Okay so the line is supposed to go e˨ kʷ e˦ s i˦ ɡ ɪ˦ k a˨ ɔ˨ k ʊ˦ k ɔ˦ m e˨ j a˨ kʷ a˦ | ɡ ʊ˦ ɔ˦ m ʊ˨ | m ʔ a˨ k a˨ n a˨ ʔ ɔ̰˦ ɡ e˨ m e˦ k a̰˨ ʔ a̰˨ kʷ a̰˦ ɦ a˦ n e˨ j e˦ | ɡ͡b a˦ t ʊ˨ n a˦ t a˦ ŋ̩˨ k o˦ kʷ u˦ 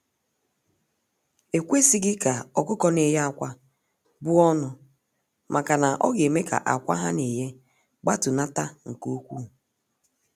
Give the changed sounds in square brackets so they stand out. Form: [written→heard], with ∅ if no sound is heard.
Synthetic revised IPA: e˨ kʷ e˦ s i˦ ɡ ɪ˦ k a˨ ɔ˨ k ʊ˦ k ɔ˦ [m→n] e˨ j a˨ kʷ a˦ | [ɡ→b] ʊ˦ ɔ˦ [m→n] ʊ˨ | m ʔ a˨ k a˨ n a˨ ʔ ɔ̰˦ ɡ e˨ m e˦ k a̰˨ ʔ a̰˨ kʷ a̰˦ ɦ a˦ n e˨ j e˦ | ɡ͡b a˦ t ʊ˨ n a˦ t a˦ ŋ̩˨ k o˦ kʷ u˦